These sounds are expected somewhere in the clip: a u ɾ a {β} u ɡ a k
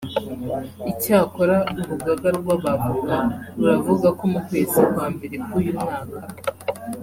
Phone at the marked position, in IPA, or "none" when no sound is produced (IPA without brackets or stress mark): v